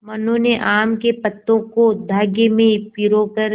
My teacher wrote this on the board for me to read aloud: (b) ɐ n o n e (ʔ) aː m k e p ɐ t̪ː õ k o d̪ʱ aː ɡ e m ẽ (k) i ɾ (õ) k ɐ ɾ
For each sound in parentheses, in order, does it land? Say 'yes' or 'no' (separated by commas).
no, yes, no, no